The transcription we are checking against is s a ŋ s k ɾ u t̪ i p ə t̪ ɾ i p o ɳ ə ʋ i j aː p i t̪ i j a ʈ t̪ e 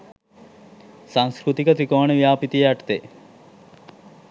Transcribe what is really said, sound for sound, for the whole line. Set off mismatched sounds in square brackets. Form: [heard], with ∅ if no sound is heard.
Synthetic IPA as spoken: s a ŋ s k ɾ u t̪ i [k] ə t̪ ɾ i [k] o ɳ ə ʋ i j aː p i t̪ i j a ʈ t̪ e